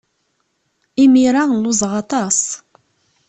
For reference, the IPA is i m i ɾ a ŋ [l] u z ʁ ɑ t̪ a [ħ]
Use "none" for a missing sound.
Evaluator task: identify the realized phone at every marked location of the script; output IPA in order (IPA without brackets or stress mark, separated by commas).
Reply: l, s